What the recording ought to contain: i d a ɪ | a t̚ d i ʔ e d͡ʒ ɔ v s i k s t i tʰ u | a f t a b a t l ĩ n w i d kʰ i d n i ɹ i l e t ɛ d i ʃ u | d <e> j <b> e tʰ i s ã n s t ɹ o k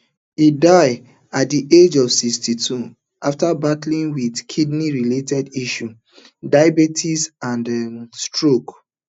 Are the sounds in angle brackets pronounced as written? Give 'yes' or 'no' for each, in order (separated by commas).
no, yes